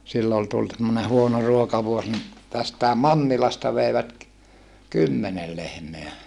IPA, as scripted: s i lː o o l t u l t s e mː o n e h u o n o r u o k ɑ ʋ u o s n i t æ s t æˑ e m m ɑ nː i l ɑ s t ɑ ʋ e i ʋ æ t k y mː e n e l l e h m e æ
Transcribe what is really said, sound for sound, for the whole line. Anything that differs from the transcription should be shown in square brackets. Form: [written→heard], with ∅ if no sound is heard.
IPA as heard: s i lː o o l t u l t s e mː o n e h u o n o r u o k ɑ ʋ u o s n i t æ s t æˑ e m m ɑ nː i l ɑ s t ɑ ʋ e i ʋ æ t k y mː e n e l l e h m e æ